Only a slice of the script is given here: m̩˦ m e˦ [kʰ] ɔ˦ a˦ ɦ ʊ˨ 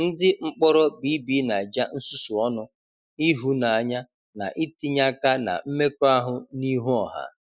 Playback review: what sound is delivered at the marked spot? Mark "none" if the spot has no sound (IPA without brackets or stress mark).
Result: k